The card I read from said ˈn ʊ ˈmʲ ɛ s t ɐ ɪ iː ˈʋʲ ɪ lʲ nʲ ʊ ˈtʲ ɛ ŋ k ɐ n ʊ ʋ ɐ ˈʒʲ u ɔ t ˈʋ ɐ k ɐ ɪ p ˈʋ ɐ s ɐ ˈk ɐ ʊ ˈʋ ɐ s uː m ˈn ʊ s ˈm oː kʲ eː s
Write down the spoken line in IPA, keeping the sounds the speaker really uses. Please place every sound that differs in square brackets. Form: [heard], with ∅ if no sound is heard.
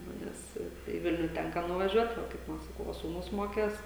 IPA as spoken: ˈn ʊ [ˈnʲ] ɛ s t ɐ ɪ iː ˈʋʲ ɪ lʲ nʲ ʊ ˈtʲ ɛ ŋ k ɐ n ʊ ʋ ɐ ˈʒʲ u ɔ t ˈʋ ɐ k ɐ ɪ p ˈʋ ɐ s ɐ ˈk ɐ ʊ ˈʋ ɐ s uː [∅] ˈn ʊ s ˈm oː kʲ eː s